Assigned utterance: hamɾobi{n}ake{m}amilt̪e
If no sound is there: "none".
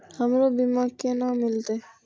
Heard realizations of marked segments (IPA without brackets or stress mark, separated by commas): m, n